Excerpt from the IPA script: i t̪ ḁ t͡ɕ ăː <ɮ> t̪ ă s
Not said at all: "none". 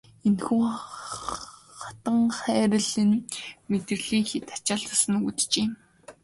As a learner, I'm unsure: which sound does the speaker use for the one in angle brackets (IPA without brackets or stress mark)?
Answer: ɮ